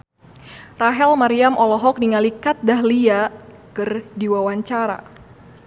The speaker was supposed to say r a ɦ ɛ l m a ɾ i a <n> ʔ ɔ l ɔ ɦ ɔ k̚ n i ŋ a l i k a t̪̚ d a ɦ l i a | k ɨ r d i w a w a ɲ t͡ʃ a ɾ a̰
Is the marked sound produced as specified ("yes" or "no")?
no